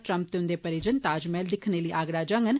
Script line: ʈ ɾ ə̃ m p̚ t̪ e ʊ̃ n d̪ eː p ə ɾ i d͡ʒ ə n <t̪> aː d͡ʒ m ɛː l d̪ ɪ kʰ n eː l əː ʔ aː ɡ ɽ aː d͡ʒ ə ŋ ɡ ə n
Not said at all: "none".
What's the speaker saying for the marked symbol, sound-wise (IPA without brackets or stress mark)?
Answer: t̪